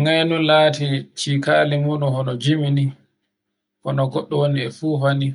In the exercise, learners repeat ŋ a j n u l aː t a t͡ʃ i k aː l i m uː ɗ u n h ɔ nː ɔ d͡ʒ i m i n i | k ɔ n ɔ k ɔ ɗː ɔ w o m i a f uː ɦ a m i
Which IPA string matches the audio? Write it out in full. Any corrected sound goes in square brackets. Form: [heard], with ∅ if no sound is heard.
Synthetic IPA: ŋ a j n u l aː t [i] t͡ʃ i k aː l i m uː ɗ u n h ɔ [n] ɔ d͡ʒ i m i n i | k ɔ n ɔ [ɡ] ɔ ɗː ɔ w o [n] i [ɛ] f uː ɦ a [n] i